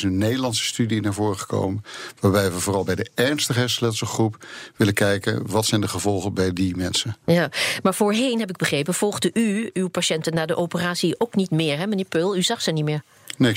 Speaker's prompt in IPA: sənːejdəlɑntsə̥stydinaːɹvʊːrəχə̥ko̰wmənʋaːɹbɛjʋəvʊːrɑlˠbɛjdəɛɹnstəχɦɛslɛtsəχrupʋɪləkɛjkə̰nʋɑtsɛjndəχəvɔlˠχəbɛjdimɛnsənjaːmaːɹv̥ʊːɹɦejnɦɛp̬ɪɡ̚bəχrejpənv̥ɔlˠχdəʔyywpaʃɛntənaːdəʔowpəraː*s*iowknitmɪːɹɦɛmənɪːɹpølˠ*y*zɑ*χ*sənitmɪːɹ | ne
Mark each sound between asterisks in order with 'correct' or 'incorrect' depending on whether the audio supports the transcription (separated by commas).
correct, correct, correct